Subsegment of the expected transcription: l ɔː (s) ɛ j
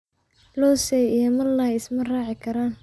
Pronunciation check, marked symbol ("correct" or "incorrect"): correct